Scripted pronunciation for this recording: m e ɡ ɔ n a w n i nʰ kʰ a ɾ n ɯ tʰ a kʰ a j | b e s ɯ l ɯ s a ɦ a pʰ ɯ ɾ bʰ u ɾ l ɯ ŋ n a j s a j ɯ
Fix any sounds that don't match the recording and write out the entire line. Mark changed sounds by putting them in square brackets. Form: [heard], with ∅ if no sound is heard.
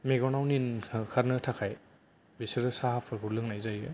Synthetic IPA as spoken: m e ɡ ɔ n a w n i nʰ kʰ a ɾ n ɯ tʰ a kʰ a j | b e s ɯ [ɾ] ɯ s a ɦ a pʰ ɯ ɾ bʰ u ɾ l ɯ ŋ n a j [z] a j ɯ